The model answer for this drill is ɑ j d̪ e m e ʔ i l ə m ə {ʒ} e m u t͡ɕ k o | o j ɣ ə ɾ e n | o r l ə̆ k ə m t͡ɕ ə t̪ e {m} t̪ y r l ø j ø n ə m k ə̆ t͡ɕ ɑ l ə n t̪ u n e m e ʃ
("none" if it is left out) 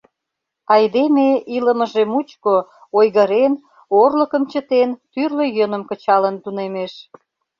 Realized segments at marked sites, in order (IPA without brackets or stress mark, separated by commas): ʒ, n